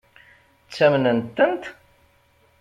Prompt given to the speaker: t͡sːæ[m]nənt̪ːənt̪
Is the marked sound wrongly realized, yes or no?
no